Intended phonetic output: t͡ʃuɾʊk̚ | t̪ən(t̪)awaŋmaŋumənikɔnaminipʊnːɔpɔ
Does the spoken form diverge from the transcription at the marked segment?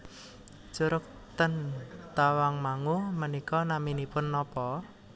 no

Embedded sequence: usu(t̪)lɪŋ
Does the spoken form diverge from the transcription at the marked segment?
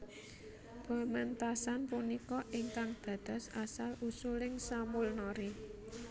yes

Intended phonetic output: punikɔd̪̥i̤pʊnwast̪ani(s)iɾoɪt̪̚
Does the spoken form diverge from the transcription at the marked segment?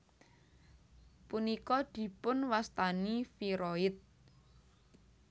yes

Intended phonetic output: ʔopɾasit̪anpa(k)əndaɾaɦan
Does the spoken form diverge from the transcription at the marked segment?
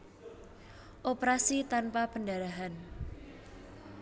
yes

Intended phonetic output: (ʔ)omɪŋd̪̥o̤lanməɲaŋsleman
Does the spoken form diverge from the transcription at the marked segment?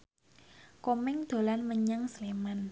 yes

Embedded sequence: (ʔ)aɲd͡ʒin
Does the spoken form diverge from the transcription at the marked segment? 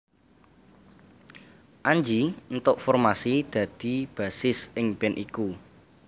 no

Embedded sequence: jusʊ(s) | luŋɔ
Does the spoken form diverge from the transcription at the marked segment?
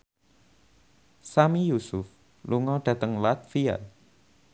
yes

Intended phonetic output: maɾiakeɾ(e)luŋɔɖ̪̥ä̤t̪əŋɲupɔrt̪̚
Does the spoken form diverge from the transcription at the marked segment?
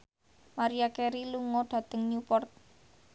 yes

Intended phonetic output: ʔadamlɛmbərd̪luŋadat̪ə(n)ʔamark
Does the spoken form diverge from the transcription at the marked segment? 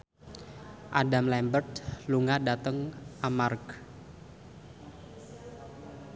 yes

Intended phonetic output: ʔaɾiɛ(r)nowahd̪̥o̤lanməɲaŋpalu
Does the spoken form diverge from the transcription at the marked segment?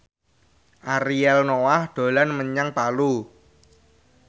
yes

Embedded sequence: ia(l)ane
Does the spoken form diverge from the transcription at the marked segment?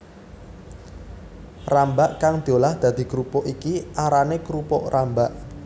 yes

